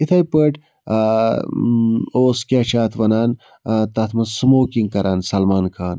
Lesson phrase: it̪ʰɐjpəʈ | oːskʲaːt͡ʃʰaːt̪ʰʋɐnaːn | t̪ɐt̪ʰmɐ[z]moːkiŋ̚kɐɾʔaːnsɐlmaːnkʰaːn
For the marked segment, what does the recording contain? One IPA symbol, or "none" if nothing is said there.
s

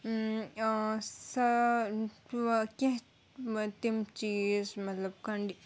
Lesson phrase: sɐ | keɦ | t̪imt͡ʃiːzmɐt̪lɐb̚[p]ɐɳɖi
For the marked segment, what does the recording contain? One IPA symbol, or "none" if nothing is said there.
k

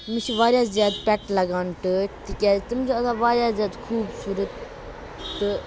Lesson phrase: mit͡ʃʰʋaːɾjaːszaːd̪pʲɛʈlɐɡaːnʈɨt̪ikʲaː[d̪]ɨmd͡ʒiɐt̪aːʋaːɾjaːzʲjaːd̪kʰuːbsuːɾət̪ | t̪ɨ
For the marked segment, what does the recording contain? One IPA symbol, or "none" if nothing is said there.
t̪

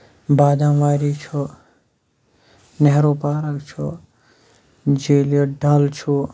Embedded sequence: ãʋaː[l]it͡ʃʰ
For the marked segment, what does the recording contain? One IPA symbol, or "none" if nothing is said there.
ɾ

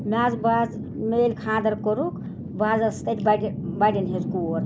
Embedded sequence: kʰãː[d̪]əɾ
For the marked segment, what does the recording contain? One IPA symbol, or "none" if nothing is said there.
d̪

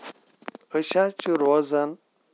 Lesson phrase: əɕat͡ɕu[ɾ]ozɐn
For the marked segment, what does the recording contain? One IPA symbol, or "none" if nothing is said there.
ɾ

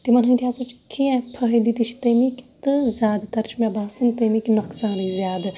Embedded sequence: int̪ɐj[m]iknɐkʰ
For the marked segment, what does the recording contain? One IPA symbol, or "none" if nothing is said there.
m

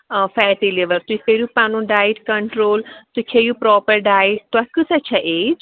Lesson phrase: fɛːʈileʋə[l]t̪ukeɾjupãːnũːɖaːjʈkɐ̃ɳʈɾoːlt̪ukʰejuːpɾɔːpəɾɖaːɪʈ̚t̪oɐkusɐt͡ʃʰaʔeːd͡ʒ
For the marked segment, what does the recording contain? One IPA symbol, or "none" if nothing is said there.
ɾ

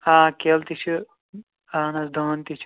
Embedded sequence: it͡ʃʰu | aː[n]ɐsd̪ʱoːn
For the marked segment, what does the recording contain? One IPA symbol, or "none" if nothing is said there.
n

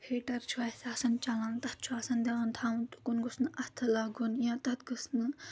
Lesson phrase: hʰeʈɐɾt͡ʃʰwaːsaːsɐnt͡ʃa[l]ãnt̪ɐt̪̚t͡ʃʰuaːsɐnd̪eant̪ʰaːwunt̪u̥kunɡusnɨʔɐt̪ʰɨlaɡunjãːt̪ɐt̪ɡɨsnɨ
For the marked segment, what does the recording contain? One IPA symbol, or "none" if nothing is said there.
l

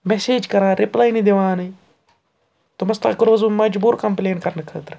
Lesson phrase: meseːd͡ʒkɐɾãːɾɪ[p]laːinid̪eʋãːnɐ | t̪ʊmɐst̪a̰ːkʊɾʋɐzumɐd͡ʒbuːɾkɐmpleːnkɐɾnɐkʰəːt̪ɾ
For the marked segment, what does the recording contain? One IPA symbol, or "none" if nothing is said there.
p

